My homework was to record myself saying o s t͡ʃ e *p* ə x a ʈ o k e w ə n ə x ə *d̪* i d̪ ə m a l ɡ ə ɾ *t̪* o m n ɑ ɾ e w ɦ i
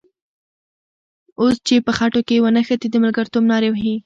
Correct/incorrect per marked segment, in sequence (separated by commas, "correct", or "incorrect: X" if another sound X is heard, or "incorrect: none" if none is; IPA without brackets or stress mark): correct, incorrect: t̪, correct